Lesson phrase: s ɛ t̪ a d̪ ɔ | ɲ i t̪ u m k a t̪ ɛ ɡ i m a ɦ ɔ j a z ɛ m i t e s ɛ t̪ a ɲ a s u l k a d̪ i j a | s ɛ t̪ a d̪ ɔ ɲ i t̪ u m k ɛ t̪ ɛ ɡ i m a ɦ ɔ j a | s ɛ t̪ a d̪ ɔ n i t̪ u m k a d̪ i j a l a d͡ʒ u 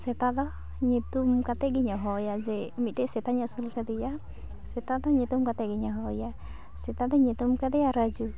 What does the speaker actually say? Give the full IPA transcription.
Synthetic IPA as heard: s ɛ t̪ a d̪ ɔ | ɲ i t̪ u m k a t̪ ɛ ɡ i ɲ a ɦ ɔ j a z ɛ m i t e s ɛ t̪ a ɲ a s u l k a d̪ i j a | s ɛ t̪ a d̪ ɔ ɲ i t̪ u m k a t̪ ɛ ɡ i ɲ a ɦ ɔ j a | s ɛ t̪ a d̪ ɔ ɲ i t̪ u m k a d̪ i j a ɾ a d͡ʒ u